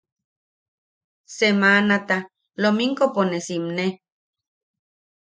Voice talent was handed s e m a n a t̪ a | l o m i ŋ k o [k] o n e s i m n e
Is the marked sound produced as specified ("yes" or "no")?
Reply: no